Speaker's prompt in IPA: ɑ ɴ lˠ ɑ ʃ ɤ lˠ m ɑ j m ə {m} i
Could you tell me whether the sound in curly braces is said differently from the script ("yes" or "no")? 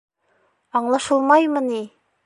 yes